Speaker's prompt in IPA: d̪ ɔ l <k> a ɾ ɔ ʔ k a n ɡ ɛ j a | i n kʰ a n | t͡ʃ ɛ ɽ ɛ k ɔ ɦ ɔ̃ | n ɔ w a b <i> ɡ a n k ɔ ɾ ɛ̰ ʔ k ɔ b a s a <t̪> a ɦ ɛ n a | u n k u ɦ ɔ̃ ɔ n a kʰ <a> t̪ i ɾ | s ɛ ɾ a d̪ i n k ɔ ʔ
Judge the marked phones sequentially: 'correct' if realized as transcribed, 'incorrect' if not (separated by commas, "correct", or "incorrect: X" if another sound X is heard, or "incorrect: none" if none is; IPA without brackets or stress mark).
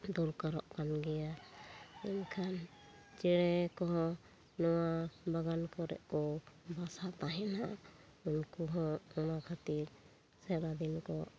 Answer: correct, incorrect: a, correct, correct